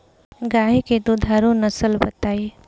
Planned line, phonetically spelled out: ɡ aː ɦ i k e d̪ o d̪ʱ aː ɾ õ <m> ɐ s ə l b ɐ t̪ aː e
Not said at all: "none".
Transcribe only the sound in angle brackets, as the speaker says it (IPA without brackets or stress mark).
n